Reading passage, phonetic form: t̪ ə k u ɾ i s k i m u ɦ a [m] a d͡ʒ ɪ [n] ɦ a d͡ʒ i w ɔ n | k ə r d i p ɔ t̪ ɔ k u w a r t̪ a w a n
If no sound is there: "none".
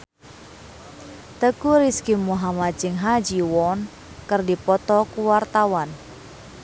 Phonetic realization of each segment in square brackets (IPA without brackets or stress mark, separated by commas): m, ŋ